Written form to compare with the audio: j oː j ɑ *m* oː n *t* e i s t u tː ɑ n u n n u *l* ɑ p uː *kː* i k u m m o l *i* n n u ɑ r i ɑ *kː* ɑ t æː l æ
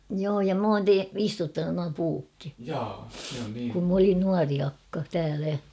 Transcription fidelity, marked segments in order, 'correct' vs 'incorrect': correct, correct, incorrect: none, correct, correct, correct

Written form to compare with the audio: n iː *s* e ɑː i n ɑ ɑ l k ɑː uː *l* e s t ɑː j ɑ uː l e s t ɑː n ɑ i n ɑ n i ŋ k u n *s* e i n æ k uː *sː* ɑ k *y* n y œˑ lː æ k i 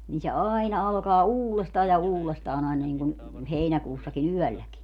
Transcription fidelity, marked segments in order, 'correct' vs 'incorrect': correct, correct, incorrect: h, correct, incorrect: i

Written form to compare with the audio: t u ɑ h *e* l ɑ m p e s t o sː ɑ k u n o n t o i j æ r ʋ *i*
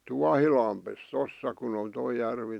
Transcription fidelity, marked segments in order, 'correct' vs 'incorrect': incorrect: i, correct

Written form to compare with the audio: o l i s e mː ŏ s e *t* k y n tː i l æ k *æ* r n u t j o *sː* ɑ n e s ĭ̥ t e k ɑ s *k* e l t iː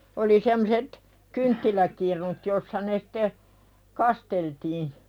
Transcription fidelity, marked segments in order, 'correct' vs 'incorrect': correct, incorrect: i, correct, incorrect: t

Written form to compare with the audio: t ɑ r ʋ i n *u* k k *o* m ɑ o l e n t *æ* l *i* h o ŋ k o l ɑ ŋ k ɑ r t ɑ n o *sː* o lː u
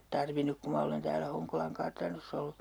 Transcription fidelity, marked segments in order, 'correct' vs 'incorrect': correct, incorrect: u, incorrect: æː, incorrect: æ, correct

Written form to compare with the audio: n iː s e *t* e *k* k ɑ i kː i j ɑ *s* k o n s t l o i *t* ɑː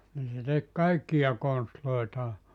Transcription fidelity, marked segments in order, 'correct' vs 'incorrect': correct, correct, incorrect: none, correct

